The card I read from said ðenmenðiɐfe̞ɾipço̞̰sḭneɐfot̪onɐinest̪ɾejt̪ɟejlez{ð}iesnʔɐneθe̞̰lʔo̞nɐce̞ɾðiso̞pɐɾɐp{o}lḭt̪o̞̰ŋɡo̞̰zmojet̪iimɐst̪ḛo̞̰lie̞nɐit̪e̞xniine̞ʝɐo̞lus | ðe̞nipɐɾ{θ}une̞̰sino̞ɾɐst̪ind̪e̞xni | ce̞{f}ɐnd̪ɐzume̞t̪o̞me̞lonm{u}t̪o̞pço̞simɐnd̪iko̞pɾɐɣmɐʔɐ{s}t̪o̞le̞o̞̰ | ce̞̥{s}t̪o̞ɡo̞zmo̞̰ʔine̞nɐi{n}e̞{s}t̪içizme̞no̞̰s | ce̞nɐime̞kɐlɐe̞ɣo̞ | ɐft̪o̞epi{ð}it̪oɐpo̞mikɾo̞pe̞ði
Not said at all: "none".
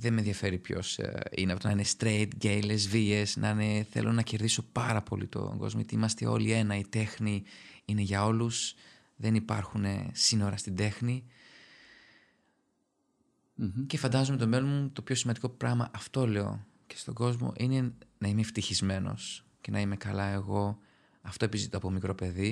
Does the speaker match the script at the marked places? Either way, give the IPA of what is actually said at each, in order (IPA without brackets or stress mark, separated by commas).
v, o, x, f, u, f, s, m, f, z